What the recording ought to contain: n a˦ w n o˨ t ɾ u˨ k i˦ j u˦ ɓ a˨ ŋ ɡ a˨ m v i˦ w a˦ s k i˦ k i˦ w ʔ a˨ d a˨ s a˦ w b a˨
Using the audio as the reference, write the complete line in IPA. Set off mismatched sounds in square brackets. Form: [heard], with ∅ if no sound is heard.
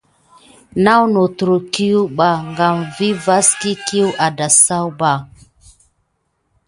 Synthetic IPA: n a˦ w n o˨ t ɾ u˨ k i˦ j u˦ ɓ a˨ ŋ ɡ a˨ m v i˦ [v] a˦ s k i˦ k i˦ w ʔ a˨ d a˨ s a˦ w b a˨